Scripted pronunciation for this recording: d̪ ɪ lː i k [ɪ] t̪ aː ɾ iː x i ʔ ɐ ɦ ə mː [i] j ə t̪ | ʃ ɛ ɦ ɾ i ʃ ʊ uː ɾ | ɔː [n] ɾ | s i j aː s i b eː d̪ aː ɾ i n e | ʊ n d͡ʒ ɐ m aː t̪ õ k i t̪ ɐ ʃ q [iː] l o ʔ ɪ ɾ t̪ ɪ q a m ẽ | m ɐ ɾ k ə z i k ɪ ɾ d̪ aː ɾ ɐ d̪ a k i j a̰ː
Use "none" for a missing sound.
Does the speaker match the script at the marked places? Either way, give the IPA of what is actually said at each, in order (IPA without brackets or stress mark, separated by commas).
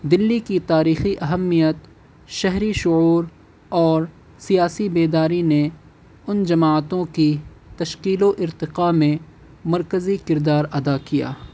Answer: i, i, none, iː